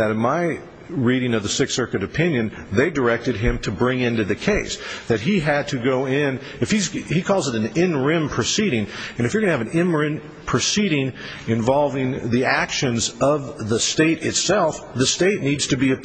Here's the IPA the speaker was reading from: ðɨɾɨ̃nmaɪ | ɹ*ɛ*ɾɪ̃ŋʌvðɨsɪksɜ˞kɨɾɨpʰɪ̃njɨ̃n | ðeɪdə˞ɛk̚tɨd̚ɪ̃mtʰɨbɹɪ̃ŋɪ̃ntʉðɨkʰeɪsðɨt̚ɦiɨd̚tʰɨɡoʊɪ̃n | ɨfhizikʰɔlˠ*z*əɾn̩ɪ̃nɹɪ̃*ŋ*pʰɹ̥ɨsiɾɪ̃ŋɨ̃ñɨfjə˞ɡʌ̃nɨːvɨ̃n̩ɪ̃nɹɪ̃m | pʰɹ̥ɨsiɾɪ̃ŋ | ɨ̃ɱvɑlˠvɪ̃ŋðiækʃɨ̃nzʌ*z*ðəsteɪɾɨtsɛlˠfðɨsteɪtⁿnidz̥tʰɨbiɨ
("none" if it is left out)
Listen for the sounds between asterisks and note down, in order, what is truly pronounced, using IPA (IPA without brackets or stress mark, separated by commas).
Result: i, z, m, v